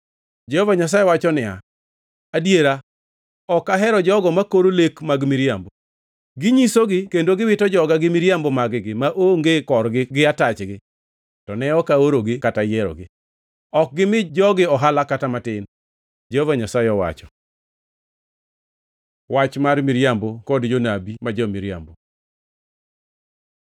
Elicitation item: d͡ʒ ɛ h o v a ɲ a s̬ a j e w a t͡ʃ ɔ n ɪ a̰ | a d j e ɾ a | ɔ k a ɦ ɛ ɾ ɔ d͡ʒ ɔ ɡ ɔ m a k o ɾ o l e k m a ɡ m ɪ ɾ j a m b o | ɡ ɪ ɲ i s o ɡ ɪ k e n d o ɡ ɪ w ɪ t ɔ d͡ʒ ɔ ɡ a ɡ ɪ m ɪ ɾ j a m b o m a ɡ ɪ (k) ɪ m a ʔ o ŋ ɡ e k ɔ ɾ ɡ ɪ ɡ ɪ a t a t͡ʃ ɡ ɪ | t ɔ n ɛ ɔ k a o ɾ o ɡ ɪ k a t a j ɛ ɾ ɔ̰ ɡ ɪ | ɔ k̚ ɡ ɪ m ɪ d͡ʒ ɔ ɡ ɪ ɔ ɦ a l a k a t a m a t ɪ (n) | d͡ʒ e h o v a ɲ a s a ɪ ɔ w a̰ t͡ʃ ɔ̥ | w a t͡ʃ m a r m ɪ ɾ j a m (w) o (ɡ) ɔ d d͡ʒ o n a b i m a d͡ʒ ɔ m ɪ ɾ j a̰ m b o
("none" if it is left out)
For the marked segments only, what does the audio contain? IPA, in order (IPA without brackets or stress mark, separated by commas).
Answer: ɡ, n, b, k